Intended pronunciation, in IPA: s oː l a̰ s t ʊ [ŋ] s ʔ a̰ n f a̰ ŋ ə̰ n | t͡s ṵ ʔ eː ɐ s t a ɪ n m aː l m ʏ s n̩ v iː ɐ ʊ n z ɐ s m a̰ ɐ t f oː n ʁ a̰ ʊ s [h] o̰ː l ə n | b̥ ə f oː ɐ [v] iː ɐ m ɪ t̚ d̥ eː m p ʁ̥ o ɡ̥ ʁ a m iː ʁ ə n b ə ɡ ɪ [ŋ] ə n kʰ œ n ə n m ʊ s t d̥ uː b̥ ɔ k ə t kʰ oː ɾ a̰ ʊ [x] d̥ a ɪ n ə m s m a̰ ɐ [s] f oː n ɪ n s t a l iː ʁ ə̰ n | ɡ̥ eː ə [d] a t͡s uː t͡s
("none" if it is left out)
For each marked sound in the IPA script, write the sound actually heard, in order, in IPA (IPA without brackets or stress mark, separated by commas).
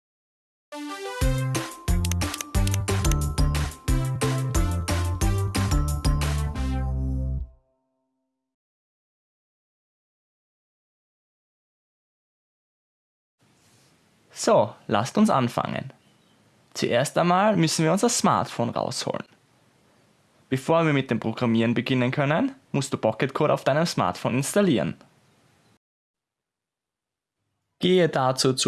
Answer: n, h, v, n, f, t, d